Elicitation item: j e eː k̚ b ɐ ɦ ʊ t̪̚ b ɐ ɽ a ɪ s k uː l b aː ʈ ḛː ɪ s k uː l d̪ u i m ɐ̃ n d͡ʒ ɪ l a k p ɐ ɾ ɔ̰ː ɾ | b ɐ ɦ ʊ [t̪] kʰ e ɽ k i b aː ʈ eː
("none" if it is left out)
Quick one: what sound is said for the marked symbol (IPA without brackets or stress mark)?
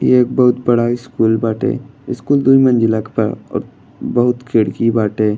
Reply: t̪